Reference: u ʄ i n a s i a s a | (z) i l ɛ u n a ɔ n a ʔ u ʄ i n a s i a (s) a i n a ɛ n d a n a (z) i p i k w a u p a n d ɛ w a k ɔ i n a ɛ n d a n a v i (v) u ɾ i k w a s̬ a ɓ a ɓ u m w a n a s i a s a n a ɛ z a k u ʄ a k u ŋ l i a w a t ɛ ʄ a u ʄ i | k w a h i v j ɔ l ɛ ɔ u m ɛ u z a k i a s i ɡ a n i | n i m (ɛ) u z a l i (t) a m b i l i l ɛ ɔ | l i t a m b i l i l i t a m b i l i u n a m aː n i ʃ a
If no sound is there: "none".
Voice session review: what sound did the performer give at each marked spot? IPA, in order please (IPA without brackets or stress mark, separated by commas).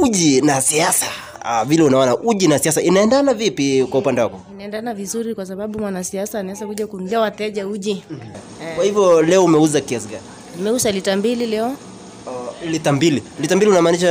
v, s, v, z, ɛ, t